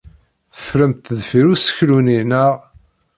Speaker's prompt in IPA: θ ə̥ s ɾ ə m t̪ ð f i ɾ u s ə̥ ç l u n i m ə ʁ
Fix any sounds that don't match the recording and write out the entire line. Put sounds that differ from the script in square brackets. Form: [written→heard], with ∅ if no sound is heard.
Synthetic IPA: θ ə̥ [s→f] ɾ ə m t̪ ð f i ɾ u s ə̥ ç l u n i [m→n] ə ʁ

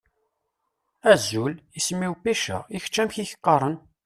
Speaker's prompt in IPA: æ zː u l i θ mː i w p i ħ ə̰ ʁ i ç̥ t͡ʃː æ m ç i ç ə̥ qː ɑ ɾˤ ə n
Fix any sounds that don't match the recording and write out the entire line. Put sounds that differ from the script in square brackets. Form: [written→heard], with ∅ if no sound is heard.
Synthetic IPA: æ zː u l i [θ→s] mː i w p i [ħ→ʃ] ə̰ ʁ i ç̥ t͡ʃː æ m ç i ç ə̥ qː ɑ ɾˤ ə n

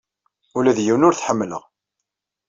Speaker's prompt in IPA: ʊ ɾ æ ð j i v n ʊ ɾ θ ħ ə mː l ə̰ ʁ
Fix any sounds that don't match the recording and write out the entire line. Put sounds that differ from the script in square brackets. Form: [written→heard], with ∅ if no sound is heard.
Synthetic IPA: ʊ [ɾ→l] æ ð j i [v→w] n ʊ ɾ θ ħ ə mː l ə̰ ʁ

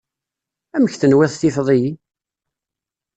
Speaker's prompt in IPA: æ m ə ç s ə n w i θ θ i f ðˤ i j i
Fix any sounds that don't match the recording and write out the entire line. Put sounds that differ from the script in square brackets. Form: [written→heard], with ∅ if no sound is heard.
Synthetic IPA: æ m ə ç [s→θ] ə n w [i→æ] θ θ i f ðˤ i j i

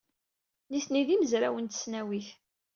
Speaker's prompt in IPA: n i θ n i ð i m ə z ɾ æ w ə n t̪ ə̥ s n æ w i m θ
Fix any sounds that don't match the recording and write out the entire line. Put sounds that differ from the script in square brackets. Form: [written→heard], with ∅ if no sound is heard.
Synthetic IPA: n i θ n i ð i m ə z ɾ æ w ə n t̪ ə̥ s n æ w i [m→∅] θ

